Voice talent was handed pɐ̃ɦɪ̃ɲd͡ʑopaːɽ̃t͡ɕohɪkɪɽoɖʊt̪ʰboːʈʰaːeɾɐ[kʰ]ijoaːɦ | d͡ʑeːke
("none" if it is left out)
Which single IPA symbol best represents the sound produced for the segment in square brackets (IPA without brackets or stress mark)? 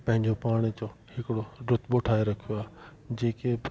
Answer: kʰ